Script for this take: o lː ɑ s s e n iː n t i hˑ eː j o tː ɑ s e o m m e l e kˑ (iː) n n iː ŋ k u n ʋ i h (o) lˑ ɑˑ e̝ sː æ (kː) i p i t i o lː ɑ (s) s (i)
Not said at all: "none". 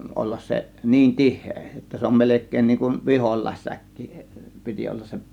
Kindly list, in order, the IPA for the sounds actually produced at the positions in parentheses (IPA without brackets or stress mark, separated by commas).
eː, o, kː, s, e